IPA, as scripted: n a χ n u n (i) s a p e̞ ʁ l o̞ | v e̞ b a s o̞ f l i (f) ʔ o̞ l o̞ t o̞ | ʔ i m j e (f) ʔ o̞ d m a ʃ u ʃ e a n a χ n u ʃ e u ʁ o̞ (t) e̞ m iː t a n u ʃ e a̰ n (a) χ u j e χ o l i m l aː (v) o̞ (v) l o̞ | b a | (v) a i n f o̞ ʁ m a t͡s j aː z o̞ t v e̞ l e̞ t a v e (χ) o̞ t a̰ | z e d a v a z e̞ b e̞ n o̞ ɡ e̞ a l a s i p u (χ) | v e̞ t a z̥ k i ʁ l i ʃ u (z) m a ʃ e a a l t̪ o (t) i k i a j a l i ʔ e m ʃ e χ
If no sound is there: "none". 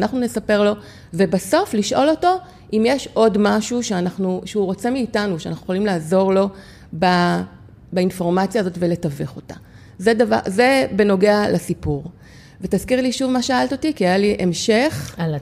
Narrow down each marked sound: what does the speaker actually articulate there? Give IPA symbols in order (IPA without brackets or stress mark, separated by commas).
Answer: e, ʃ, ʃ, t͡s, a, z, ʁ, b, χ, ʁ, v, t